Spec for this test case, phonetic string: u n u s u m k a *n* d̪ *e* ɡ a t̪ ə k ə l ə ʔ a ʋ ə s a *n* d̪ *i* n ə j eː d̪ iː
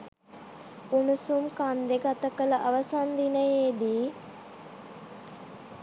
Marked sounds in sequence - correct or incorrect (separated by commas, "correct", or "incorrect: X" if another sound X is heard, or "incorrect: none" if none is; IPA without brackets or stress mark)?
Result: correct, correct, correct, correct